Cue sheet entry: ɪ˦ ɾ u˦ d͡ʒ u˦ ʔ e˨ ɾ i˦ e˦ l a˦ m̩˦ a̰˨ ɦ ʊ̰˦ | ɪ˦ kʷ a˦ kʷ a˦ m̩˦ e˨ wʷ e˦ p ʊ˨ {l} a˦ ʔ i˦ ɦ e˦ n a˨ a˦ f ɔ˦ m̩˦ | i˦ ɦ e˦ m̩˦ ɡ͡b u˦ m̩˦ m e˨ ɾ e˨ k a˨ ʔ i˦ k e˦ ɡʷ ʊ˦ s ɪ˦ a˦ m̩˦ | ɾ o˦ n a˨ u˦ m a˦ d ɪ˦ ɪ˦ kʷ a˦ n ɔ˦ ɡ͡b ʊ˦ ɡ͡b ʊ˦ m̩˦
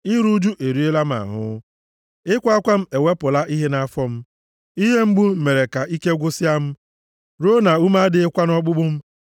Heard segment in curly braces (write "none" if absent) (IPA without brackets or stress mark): l